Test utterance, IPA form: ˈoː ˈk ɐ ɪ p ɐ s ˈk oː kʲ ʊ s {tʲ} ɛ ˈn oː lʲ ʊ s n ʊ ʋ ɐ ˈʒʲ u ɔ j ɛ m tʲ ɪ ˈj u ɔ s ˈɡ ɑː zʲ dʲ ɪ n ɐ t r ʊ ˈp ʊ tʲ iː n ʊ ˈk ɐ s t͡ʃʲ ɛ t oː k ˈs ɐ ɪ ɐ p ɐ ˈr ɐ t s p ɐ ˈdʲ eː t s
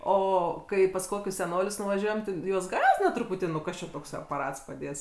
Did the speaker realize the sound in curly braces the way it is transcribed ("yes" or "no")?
no